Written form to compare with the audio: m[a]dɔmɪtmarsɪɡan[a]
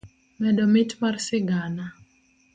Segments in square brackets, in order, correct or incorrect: incorrect: ɛ, correct

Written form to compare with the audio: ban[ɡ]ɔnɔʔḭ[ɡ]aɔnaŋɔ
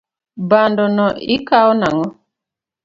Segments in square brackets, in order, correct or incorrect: incorrect: d, incorrect: k

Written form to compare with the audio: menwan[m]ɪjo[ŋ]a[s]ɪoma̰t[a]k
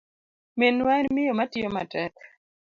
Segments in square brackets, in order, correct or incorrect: correct, incorrect: m, incorrect: t, incorrect: ɛ

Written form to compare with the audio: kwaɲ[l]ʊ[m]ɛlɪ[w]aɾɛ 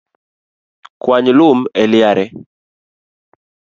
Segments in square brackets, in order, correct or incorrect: correct, correct, incorrect: none

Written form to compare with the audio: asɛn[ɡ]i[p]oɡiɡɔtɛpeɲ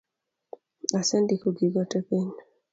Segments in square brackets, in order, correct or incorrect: incorrect: d, incorrect: k

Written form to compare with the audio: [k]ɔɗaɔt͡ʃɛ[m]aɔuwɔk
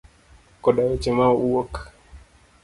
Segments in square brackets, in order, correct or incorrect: correct, correct

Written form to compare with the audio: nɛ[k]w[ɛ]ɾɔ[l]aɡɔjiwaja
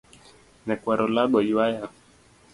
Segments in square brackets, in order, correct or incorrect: correct, incorrect: a, correct

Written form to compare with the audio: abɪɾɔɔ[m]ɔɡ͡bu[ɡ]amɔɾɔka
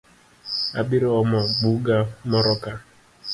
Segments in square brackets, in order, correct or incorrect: correct, correct

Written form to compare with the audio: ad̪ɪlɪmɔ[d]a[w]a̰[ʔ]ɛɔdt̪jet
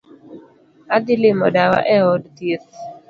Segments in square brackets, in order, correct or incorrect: correct, correct, correct

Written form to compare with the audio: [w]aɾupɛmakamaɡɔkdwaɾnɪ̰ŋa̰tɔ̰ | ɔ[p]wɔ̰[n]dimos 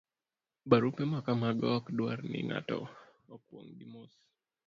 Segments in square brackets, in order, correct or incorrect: incorrect: b, incorrect: k, incorrect: ŋ

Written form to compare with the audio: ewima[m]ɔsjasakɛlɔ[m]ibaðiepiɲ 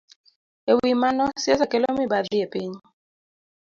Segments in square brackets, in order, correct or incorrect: incorrect: n, correct

